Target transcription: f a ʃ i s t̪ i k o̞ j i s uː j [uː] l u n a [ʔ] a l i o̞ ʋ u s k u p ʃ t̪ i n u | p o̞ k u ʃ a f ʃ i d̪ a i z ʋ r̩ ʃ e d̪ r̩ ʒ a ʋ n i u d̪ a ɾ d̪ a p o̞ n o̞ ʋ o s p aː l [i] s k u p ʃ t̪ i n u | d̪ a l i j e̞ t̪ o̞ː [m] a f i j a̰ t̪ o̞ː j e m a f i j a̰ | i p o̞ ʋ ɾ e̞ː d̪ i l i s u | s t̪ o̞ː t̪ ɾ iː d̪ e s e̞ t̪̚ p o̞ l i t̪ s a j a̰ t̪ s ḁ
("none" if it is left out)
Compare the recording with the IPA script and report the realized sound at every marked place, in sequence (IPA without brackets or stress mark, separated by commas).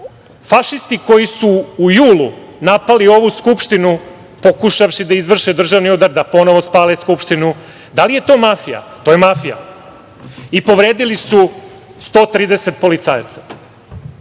uː, p, e, m